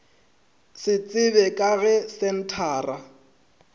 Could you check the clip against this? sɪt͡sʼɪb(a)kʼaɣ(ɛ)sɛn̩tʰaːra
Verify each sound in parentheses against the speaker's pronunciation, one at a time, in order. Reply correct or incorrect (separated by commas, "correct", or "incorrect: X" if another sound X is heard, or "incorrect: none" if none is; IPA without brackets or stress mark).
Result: incorrect: ɛ, correct